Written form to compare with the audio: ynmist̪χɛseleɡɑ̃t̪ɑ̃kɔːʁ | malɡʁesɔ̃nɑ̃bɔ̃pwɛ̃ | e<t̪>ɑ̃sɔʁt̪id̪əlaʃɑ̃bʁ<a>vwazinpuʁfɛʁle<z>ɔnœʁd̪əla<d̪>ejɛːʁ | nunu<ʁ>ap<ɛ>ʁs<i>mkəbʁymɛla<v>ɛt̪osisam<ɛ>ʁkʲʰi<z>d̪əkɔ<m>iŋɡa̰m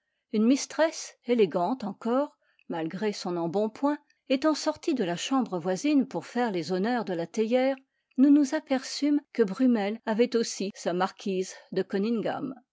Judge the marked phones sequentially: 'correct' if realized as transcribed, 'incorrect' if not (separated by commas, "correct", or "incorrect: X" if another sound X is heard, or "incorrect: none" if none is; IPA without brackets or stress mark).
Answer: correct, incorrect: ə, correct, incorrect: t̪, incorrect: z, correct, incorrect: y, correct, incorrect: a, correct, incorrect: n